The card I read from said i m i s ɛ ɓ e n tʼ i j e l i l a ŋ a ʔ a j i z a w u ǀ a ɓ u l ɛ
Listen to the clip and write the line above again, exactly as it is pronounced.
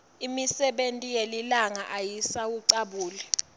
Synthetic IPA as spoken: i m i s ɛ ɓ e n tʼ i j e l i l a ŋ a ʔ a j i s a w u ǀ a ɓ uː l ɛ